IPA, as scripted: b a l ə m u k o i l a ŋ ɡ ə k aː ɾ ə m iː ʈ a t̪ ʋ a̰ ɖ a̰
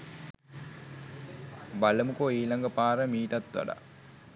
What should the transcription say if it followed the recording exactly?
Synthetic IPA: b a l ə m u k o iː l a ŋ ɡ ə p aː ɾ ə m iː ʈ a t̪ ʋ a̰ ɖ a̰